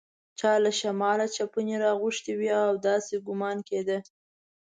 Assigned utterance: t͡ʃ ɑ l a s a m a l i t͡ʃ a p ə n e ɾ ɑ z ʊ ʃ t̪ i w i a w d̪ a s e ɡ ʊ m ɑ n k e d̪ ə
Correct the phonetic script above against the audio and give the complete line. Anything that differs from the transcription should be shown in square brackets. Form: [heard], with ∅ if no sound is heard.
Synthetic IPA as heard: t͡ʃ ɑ l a [ʃ] a m [ɑ] l [a] t͡ʃ a p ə n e ɾ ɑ [ɣ] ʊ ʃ t̪ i w i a w d̪ [ɑ] s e ɡ ʊ m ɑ n k e d̪ ə